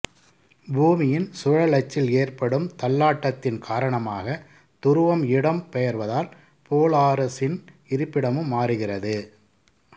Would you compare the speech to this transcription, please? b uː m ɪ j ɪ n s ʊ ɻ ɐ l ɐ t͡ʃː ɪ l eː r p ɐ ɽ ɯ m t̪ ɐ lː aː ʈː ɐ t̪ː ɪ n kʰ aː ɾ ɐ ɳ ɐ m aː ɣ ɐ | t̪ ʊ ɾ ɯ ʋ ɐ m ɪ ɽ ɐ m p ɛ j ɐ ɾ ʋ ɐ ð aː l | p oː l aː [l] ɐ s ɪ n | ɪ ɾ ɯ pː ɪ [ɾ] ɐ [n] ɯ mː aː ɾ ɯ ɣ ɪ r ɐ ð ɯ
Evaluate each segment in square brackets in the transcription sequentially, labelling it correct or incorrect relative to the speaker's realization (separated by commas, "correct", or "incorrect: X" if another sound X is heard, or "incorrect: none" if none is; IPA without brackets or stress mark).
incorrect: ɾ, incorrect: ɽ, incorrect: m